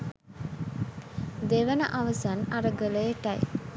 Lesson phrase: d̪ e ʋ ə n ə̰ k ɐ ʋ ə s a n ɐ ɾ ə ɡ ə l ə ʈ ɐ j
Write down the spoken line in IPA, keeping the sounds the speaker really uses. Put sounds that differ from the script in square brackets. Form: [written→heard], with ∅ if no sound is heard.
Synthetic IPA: d̪ e ʋ ə n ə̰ [k→ʔ] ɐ ʋ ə s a n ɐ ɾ ə ɡ ə l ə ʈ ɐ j

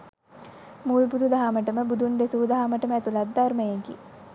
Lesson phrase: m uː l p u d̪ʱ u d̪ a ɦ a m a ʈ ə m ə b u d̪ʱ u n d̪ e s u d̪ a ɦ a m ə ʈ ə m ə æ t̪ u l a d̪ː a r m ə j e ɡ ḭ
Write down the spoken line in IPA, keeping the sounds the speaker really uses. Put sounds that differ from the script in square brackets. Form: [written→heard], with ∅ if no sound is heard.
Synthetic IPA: m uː l [p→b] u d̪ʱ u d̪ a ɦ a m [a→ə] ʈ ə m ə b u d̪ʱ u n d̪ e s u d̪ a ɦ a m ə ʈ ə m ə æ t̪ u l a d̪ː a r m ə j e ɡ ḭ

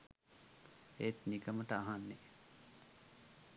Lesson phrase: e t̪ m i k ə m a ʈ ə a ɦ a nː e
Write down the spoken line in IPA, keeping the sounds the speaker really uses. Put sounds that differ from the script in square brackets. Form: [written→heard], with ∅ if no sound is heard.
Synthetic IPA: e t̪ [m→n] i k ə m [a→ə] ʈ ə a ɦ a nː e

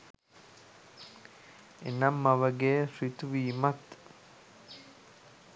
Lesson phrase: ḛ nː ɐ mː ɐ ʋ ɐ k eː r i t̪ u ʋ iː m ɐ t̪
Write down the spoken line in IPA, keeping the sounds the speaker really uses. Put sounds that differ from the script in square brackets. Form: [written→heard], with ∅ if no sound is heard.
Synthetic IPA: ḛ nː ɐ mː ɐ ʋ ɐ [k→ɡ] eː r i t̪ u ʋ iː m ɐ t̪

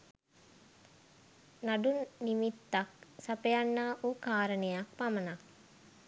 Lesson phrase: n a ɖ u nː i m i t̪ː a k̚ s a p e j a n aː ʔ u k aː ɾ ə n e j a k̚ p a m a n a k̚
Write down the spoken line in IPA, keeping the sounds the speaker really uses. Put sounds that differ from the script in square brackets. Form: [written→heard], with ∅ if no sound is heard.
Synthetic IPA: n a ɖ u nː i m i t̪ː a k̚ s a p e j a [n→nː] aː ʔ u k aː ɾ ə n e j a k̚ p a m [a→ə] n a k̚

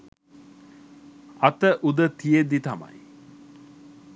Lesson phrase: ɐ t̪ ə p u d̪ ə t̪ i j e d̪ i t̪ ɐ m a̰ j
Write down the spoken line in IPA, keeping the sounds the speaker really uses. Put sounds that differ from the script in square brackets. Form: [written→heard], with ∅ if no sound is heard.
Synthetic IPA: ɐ t̪ ə [p→ʔ] u d̪ ə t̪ i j e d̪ i t̪ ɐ m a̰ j

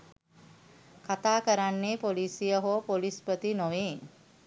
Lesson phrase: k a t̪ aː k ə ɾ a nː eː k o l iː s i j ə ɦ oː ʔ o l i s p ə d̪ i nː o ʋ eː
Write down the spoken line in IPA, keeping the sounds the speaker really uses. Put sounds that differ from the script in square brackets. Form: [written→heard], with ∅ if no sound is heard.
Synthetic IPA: k a t̪ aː k ə ɾ a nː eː [k→p] o l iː s i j ə ɦ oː [ʔ→p] o l i s p ə [d̪→t̪] i [nː→n] o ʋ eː

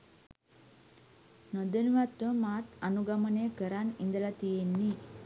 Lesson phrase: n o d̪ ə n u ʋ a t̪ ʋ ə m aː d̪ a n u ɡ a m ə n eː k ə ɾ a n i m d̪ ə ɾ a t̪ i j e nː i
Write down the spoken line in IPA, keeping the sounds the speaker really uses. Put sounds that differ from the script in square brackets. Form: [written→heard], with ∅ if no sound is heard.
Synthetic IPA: n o d̪ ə n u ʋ a t̪ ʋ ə m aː [d̪→t̪] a n u ɡ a m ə n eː k ə ɾ a n i [m→n] d̪ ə [ɾ→l] a t̪ i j e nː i

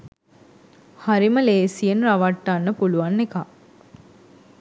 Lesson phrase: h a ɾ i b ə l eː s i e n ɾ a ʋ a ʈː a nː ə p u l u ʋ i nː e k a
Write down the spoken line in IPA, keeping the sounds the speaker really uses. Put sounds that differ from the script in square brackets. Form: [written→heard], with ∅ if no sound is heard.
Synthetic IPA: h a ɾ i [b→m] ə l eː s i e n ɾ a ʋ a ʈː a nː ə p u l u ʋ [i→a] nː e k a

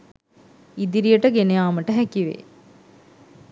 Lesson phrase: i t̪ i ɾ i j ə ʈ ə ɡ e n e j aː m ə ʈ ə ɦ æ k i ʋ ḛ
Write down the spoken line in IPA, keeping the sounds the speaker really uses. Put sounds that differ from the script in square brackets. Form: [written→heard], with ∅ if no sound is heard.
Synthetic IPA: i [t̪→d̪] i ɾ i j ə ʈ ə ɡ e n e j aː m ə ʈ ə ɦ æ k i ʋ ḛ

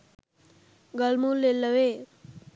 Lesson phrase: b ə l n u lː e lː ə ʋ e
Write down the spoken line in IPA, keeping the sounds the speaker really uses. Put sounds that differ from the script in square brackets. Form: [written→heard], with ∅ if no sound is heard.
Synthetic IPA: [b→ɡ] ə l [n→m] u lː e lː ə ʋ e

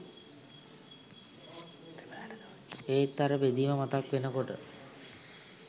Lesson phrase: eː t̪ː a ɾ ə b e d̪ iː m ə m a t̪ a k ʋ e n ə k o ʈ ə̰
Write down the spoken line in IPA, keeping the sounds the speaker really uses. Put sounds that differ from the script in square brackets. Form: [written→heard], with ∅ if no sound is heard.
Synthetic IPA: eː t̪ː a ɾ ə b e d̪ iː m ə m a t̪ a k ʋ e n ə k o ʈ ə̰

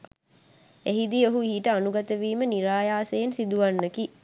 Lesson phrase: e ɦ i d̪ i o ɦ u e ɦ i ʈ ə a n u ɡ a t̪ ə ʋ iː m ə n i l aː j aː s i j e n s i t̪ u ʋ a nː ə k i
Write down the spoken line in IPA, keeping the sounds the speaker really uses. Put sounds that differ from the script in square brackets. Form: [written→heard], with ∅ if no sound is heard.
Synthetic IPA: e ɦ i d̪ i o ɦ u [e→i] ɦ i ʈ ə a n u ɡ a t̪ ə ʋ iː m ə n i [l→ɾ] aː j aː s [i→e] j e n s i [t̪→d̪] u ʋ a nː ə k i

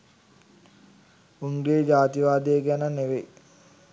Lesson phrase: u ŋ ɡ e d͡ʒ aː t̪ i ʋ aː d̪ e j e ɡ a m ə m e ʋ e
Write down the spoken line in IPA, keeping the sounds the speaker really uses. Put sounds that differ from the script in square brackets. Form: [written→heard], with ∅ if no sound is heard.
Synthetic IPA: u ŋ ɡ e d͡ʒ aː t̪ i ʋ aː d̪ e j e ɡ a [m→n] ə [m→n] e ʋ e

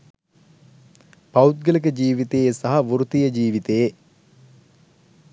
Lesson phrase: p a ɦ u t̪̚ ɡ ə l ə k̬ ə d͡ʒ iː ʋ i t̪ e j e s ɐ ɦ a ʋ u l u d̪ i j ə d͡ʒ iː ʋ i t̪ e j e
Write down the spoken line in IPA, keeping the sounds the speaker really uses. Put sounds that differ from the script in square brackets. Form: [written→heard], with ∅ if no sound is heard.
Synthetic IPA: p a [ɦ→∅] u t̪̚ ɡ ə l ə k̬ ə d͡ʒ iː ʋ i t̪ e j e s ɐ ɦ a ʋ u [l→ɾ] u [d̪→t̪] i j ə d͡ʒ iː ʋ i t̪ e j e

